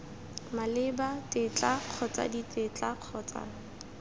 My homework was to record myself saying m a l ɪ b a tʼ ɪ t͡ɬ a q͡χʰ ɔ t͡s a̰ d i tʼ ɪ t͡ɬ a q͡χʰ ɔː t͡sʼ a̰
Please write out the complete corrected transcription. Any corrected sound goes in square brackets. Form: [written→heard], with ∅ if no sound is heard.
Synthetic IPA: m a l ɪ b a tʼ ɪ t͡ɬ a q͡χʰ ɔ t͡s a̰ d i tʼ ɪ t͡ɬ a q͡χʰ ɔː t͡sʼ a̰